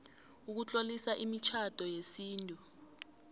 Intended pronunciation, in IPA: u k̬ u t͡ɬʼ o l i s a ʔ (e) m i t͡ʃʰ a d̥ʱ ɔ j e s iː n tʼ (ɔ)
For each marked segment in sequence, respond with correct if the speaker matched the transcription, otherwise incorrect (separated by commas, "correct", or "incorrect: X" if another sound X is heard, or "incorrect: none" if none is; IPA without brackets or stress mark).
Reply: incorrect: i, incorrect: u